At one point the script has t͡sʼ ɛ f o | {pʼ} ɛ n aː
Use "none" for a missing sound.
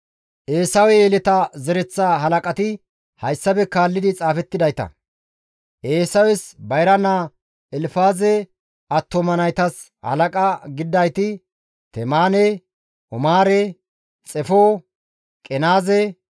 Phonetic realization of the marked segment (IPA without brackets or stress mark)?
kʼ